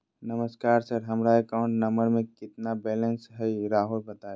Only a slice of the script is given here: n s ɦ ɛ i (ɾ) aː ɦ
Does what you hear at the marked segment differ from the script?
no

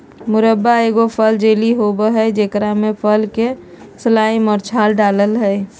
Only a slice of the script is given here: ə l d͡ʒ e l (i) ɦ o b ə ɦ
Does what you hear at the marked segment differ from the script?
no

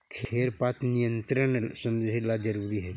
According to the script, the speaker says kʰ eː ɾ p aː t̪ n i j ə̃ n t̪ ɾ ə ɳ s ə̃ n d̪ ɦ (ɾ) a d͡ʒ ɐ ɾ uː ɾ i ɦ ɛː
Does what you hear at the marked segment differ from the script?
yes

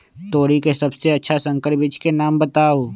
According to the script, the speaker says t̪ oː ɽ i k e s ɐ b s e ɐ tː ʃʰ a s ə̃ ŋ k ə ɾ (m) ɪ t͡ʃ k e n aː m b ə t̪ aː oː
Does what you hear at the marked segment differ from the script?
yes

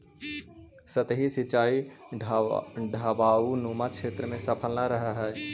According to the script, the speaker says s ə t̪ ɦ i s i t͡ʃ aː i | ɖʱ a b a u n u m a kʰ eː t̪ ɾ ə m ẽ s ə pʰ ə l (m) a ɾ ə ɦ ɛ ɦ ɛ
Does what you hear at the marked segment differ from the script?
yes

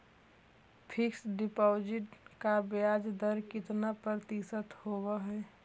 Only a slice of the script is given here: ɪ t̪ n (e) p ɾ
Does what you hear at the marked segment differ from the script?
yes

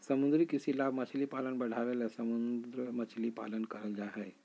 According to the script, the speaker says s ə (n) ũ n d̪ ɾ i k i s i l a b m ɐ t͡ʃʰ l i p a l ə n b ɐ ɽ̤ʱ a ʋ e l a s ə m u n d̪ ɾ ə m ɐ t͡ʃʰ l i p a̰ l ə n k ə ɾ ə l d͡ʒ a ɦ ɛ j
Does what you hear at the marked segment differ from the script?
yes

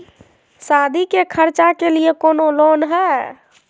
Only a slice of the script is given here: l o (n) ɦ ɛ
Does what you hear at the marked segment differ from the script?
no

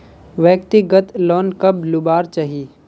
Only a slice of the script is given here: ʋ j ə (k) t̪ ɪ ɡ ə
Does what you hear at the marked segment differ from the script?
no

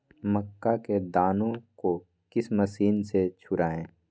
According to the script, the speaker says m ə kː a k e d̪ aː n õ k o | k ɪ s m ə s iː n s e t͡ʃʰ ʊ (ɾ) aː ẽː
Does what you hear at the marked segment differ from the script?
no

